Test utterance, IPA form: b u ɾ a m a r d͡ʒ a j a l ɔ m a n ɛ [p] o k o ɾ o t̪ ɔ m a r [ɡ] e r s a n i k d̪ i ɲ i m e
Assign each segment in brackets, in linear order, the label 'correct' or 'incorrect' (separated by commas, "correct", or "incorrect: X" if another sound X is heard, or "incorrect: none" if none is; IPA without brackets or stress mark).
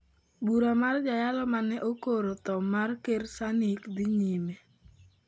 incorrect: ʔ, incorrect: k